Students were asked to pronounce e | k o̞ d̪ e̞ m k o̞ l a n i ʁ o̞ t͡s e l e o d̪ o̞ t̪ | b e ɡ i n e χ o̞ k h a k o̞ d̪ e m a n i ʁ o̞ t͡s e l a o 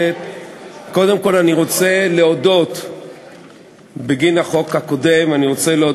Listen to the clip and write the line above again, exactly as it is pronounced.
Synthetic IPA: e | k o̞ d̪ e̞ m k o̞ l a n i ʁ o̞ t͡s e l e o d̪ o̞ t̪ | b e ɡ i n a χ o̞ k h a k o̞ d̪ e m a n i ʁ o̞ t͡s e l e o